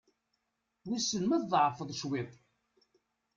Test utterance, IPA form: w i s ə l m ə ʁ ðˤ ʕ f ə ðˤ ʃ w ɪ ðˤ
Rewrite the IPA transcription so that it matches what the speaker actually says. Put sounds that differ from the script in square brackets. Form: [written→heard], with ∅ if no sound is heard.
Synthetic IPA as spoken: w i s ə l m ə [ʁ→ð] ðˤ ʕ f ə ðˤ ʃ w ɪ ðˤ